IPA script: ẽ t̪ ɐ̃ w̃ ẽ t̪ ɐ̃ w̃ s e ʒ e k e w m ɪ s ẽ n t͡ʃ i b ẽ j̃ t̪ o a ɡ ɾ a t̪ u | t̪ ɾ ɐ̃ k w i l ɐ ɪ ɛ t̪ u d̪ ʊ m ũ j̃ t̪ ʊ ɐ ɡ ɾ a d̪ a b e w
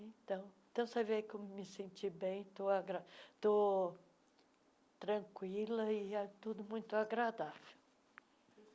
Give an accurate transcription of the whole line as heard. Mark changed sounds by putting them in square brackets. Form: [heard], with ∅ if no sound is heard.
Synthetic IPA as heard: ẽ t̪ ɐ̃ w̃ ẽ t̪ ɐ̃ w̃ s e [v] e k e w m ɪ s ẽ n t͡ʃ i b ẽ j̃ t̪ o a ɡ ɾ a t̪ [o] | t̪ ɾ ɐ̃ k w i l ɐ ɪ ɛ t̪ u d̪ ʊ m ũ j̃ t̪ ʊ [a] ɡ ɾ a d̪ a [v] e w